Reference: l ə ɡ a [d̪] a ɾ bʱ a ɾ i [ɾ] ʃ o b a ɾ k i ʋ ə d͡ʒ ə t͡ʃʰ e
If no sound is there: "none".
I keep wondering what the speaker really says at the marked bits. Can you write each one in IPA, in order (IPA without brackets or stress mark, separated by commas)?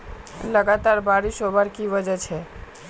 t̪, none